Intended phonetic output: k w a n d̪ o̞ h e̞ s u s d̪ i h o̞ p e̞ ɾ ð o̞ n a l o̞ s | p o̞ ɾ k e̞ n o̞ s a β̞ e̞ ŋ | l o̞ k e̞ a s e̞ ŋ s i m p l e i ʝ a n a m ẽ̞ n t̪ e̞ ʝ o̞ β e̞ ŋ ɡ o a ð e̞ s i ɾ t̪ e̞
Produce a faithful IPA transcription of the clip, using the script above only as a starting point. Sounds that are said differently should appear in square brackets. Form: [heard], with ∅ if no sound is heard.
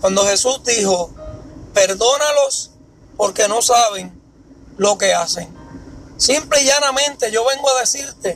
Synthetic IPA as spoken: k w a n d̪ o̞ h e̞ s u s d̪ i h o̞ p e̞ ɾ ð o̞ n a l o̞ s | p o̞ ɾ k e̞ n o̞ s a β̞ e̞ ŋ | l o̞ k e̞ a s e̞ ŋ s i m p l e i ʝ a n a m ẽ̞ n t̪ e̞ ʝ o̞ β e̞ ŋ ɡ o a ð e̞ s i ɾ t̪ e̞